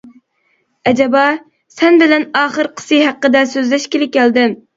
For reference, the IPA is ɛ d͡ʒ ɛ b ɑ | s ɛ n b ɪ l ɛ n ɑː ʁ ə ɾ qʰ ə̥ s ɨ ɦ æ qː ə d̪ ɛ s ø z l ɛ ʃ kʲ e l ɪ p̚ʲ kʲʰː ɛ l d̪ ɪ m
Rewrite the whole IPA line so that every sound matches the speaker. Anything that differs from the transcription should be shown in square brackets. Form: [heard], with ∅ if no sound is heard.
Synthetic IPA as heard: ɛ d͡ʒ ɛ b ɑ | s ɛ n b ɪ l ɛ n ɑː [χ] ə ɾ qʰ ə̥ s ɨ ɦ æ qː ə d̪ ɛ s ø z l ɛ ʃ kʲ e l ɪ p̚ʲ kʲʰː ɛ l d̪ ɪ m